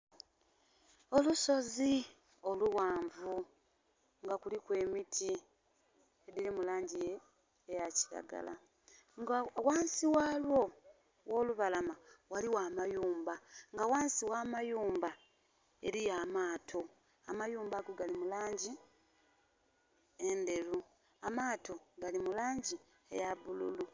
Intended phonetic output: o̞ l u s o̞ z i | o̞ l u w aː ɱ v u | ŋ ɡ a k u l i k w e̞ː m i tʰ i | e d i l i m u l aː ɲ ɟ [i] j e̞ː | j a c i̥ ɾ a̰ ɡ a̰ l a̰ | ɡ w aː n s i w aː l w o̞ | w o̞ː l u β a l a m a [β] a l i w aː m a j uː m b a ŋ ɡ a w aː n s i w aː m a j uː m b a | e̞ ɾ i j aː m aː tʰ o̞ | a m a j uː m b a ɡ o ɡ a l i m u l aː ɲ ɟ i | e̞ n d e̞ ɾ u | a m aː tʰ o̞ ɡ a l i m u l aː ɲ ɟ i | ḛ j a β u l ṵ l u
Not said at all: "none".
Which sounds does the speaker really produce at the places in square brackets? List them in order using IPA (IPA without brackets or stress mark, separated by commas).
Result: i, w